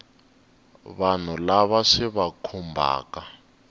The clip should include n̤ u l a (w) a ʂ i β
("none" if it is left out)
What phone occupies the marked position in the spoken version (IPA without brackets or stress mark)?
β